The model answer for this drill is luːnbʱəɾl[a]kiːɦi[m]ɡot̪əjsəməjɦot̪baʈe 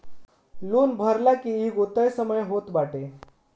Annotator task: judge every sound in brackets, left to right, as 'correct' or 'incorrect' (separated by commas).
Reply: correct, incorrect